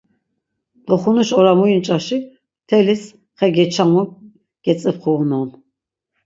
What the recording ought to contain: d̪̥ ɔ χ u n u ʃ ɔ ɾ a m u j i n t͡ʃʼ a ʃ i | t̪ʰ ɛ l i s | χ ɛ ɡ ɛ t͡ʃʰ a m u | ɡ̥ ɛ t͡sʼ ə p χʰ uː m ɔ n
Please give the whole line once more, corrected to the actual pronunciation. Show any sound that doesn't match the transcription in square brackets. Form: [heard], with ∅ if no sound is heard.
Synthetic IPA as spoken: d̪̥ ɔ χ u n u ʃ ɔ ɾ a m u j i n t͡ʃʼ a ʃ i | t̪ʰ ɛ l i s | χ ɛ ɡ ɛ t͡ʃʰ a m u | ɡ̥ ɛ t͡sʼ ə p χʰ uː [n] ɔ n